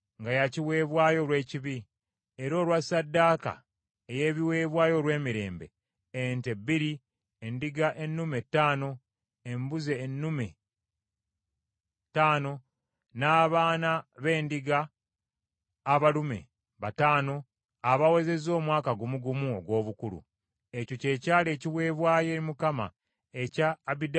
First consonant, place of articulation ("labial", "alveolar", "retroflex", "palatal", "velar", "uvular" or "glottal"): velar